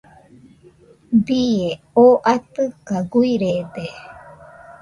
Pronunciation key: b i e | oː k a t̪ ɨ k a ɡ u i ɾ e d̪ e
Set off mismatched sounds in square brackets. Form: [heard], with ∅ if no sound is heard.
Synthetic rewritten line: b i e | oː [ʔ] a t̪ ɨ k a ɡ u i ɾ e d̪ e

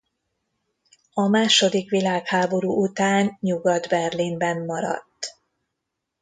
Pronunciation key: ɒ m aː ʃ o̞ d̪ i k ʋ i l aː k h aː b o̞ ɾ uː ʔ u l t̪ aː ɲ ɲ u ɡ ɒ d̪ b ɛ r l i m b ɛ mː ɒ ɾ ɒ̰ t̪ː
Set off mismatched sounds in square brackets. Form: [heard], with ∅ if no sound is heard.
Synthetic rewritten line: ɒ m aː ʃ o̞ d̪ i k ʋ i l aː k h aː b o̞ ɾ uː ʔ u [∅] t̪ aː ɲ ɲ u ɡ ɒ d̪ b ɛ r l i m b ɛ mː ɒ ɾ ɒ̰ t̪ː

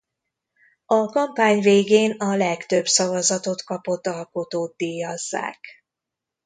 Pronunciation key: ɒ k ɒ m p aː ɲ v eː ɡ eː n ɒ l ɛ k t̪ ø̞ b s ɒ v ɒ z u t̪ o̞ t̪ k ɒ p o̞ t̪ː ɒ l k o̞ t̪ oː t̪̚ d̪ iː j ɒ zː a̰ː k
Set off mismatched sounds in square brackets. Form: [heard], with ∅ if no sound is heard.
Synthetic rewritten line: ɒ k ɒ m p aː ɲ v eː ɡ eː n ɒ l ɛ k t̪ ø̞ b s ɒ v ɒ z [ɒ] t̪ o̞ t̪ k ɒ p o̞ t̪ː ɒ l k o̞ t̪ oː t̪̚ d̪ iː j ɒ zː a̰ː k

